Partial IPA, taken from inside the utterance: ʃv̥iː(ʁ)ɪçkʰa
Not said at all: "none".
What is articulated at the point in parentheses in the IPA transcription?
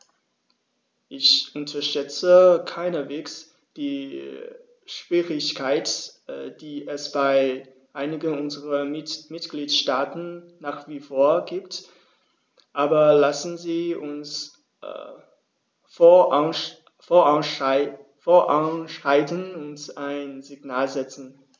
ʁ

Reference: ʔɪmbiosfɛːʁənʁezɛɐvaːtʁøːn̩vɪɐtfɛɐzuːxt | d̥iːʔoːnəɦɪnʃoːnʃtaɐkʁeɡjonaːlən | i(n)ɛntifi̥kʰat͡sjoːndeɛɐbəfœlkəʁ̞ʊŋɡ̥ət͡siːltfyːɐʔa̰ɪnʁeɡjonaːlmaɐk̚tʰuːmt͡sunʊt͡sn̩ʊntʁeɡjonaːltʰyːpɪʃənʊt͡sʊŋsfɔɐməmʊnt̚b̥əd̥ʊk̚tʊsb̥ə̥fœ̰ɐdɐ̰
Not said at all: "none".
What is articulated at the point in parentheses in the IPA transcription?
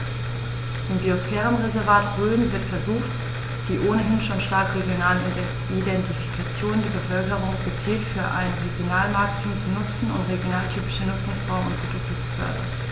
d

